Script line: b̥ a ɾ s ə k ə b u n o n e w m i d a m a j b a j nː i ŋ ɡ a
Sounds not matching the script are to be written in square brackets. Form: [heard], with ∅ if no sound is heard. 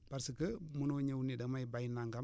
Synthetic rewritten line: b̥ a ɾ s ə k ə [m] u n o [ɲ] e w [n] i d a m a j b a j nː [a] ŋ ɡ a